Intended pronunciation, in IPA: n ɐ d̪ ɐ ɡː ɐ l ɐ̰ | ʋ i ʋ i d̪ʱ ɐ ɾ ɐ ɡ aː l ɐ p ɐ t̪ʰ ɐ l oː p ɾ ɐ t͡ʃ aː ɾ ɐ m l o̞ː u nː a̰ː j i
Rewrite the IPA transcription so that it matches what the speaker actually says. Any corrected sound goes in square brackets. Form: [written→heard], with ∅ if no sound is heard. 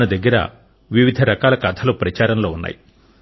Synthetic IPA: n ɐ d̪ ɐ ɡː ɐ [l→ɾ] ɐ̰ | ʋ i ʋ i d̪ʱ ɐ ɾ ɐ [ɡ→k] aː l ɐ [p→k] ɐ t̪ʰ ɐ l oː p ɾ ɐ t͡ʃ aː ɾ ɐ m l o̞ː u nː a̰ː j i